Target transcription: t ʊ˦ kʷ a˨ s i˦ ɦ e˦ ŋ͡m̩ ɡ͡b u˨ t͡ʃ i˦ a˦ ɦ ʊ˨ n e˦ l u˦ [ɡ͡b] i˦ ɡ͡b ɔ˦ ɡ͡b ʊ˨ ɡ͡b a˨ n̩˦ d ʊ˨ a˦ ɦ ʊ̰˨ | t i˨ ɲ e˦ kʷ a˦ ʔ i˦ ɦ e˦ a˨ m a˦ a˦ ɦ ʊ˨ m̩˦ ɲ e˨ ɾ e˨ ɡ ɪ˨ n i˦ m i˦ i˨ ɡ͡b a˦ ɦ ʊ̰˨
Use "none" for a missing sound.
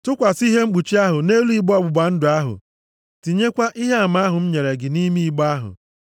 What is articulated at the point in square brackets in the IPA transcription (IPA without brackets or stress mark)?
none